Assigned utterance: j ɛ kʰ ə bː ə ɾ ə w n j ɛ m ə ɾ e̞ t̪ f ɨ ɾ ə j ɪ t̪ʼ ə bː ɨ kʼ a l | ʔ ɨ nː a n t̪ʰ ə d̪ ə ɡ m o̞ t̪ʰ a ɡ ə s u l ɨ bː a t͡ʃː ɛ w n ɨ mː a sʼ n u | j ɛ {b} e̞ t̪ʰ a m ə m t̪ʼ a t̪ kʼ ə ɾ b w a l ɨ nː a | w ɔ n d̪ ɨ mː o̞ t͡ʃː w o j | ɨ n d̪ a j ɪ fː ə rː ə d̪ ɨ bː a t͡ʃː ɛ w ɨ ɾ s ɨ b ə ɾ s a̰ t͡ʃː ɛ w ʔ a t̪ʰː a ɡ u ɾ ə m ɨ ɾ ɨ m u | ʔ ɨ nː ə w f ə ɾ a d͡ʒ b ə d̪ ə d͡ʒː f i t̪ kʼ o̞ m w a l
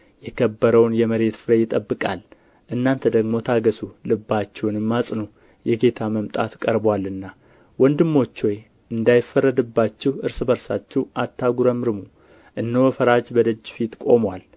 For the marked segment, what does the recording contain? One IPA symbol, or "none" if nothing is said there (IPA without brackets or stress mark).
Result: ɡ